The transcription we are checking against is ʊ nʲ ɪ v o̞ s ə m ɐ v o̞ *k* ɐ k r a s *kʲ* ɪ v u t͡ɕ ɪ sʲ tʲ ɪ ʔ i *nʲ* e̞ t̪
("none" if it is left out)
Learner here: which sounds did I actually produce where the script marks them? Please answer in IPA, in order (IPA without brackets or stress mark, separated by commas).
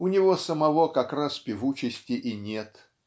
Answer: k, pʲ, nʲ